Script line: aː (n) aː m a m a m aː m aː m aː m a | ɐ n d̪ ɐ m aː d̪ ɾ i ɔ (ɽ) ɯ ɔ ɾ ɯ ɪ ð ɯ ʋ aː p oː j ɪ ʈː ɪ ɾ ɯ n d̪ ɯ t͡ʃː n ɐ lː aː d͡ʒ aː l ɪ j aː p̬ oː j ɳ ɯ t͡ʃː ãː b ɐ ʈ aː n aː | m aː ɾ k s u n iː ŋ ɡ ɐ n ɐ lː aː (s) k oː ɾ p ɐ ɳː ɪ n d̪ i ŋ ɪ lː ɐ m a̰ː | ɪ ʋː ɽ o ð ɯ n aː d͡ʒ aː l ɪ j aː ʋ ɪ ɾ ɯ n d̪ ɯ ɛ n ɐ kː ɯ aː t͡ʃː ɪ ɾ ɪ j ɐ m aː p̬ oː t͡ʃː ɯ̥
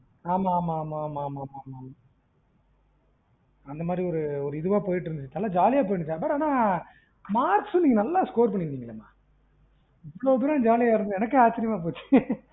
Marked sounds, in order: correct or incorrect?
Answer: incorrect, incorrect, correct

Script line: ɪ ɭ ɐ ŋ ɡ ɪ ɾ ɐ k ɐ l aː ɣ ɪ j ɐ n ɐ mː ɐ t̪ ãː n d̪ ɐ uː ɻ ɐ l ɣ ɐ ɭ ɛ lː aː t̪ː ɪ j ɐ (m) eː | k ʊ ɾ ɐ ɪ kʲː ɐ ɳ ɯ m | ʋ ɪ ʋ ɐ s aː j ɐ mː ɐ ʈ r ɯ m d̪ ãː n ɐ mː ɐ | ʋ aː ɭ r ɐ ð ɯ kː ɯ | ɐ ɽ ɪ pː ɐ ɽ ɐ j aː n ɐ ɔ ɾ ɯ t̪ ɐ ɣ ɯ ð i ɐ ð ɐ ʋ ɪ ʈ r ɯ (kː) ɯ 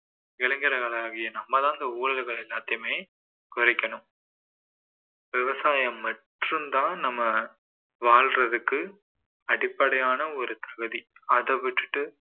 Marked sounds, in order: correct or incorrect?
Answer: correct, incorrect

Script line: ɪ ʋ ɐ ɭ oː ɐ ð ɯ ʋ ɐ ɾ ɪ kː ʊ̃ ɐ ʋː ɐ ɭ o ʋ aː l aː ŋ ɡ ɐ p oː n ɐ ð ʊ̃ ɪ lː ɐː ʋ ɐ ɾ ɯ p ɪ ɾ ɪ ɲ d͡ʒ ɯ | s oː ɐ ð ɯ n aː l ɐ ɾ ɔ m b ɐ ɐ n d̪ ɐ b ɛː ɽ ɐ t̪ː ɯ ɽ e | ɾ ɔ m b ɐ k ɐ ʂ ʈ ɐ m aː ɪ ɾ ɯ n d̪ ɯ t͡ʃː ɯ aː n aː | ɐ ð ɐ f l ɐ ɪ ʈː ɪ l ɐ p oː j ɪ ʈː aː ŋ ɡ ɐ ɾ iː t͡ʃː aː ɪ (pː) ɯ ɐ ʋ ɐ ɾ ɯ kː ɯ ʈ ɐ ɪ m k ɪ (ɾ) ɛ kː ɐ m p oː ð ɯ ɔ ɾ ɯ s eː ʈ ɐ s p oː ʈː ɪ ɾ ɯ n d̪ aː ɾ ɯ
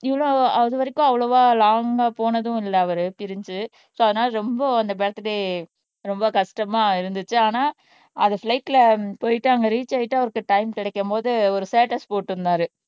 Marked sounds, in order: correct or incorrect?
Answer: incorrect, incorrect

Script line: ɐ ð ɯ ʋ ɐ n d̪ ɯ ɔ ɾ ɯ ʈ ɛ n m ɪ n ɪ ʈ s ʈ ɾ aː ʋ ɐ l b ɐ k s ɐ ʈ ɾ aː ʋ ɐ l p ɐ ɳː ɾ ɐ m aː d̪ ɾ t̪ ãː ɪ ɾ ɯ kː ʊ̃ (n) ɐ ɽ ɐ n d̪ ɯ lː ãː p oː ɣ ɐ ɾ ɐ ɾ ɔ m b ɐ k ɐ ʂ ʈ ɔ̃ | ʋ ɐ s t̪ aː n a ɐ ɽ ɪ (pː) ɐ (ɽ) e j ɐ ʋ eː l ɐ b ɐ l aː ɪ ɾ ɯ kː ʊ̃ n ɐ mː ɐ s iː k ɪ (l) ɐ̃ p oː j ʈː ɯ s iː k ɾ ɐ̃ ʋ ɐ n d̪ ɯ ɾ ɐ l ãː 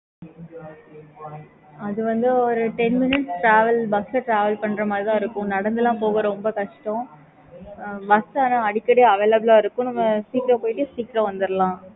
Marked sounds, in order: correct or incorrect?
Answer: correct, incorrect, correct, incorrect

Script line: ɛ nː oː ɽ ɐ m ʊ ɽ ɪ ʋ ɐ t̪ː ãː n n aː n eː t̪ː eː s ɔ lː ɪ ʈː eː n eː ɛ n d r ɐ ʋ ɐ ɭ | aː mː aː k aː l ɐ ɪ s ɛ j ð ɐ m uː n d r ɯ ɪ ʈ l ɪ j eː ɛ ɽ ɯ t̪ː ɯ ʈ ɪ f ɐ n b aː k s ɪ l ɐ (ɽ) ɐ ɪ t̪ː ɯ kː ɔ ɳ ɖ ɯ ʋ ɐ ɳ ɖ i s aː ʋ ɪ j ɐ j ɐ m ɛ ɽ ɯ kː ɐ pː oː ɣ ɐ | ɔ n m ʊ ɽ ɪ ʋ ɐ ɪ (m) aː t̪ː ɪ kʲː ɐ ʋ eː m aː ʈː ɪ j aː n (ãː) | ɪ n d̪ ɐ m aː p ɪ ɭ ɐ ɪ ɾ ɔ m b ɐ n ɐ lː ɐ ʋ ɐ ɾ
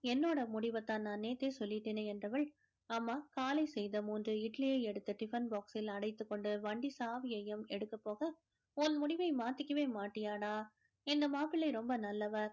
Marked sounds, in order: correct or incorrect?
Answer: correct, correct, incorrect

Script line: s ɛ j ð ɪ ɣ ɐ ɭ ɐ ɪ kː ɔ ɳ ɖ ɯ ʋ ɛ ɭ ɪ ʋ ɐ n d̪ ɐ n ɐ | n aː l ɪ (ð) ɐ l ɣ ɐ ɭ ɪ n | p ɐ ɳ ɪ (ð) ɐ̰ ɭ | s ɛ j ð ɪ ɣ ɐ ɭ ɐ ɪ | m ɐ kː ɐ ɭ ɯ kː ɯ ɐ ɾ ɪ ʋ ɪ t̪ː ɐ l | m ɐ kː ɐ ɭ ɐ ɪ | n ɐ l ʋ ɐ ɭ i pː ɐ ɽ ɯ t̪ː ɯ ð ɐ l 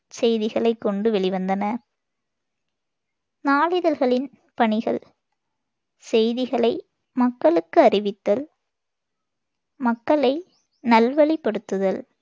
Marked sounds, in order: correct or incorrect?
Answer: correct, incorrect

